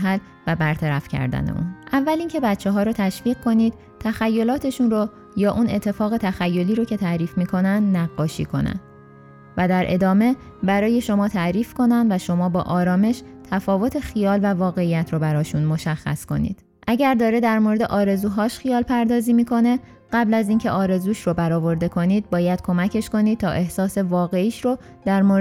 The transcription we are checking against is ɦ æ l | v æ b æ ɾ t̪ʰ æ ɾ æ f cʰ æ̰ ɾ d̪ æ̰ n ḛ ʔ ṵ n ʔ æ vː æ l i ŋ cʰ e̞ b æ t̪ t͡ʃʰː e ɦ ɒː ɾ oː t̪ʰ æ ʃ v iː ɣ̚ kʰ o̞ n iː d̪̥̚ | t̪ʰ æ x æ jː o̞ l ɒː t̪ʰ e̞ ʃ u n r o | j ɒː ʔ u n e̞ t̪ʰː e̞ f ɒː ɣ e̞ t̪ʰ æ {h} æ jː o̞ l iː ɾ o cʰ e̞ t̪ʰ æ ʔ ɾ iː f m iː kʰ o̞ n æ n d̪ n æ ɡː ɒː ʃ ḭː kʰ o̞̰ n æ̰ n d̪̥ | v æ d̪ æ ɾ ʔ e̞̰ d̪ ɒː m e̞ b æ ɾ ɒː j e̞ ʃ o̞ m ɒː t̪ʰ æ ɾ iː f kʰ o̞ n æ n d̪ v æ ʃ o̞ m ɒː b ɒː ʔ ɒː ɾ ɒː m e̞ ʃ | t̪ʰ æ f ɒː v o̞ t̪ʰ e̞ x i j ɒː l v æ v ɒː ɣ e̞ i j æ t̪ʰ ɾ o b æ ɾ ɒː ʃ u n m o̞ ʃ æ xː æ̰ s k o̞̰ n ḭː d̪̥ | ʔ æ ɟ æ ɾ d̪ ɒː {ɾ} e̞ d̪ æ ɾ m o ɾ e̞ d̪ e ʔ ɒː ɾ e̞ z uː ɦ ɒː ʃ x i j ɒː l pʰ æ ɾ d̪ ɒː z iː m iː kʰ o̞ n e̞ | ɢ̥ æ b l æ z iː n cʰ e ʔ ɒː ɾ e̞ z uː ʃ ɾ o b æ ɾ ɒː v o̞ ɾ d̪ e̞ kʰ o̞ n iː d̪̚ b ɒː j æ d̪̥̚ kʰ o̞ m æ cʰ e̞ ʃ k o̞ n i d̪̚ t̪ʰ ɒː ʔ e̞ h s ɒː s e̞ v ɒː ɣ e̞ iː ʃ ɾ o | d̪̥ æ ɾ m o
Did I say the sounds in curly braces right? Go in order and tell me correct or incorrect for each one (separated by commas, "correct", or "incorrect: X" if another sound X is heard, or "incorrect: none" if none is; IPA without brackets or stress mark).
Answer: incorrect: x, correct